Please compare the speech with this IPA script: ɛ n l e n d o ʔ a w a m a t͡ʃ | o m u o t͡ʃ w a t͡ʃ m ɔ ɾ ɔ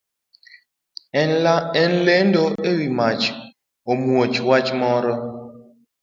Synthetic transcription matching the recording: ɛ n l e n d o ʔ e w i m a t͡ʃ | o m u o t͡ʃ w a t͡ʃ m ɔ ɾ ɔ